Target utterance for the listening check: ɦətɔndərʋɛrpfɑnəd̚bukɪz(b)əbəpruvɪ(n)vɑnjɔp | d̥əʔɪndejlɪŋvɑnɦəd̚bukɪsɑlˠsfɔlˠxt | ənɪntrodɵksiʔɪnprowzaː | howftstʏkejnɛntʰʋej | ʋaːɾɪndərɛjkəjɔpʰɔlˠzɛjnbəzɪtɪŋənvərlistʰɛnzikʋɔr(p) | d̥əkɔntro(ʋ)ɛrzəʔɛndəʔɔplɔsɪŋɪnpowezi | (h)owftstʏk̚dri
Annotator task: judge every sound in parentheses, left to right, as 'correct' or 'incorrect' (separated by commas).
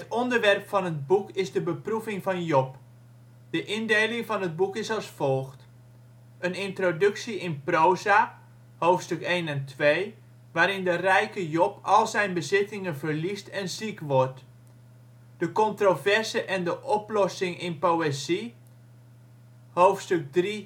incorrect, incorrect, incorrect, incorrect, correct